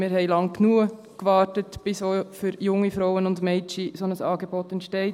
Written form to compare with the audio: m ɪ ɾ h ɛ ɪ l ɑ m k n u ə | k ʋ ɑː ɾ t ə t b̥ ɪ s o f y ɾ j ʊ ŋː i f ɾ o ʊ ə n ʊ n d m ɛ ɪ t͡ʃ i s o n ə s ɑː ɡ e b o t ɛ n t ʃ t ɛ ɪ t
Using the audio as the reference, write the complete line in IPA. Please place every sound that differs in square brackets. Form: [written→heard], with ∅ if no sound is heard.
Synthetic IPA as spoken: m ɪ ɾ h ɛ ɪ l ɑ [m→ŋ] k n u ə | k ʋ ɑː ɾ t ə t b̥ ɪ s o f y ɾ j ʊ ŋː i f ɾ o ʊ ə n ʊ n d m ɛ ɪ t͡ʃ i s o n ə s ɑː ɡ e b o t ɛ n t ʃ t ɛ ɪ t